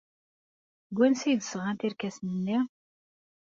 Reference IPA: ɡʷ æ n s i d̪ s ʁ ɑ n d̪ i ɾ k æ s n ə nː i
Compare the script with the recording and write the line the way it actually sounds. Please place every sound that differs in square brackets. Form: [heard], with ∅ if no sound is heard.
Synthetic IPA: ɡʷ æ n s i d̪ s ʁ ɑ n [t̪] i ɾ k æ s n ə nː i